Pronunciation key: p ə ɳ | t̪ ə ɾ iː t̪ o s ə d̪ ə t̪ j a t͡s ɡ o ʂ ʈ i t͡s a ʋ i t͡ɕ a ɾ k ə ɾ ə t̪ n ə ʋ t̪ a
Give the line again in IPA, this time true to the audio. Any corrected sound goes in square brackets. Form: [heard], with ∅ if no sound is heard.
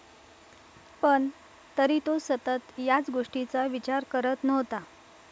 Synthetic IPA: p ə ɳ | t̪ ə ɾ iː t̪ o s ə [t̪] ə t̪ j a t͡s ɡ o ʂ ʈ i t͡s a ʋ i t͡ɕ a ɾ k ə ɾ ə t̪ n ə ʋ t̪ a